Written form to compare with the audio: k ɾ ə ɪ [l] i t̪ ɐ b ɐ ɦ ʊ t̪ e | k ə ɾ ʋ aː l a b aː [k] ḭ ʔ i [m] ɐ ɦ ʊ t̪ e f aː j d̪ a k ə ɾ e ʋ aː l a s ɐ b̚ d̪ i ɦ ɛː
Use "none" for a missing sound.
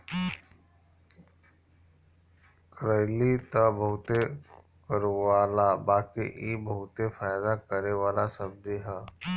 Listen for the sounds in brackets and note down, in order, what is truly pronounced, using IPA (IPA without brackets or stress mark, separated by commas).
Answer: l, k, b